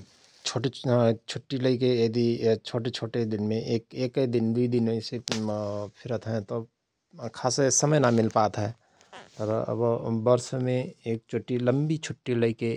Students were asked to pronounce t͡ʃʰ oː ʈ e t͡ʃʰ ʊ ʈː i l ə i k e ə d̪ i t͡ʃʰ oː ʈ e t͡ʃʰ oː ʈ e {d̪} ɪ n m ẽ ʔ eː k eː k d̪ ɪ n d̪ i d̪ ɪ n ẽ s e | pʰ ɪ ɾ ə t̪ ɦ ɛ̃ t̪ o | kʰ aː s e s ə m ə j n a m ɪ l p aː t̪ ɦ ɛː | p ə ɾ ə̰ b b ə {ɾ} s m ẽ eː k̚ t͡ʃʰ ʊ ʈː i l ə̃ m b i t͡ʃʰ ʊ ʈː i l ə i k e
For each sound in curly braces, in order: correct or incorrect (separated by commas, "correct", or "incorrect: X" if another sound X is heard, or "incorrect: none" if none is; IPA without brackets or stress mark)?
correct, correct